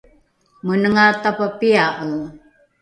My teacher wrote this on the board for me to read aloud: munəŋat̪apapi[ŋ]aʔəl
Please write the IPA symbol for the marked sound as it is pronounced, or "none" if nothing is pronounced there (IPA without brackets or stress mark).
none